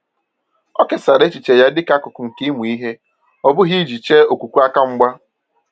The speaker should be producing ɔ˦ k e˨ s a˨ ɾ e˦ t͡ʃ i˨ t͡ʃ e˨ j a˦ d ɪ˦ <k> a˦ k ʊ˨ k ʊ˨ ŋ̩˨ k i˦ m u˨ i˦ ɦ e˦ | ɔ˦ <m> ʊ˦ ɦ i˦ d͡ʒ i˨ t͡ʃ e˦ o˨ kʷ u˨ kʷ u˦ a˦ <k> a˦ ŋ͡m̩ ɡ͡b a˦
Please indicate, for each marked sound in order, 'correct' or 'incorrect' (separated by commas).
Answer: correct, incorrect, correct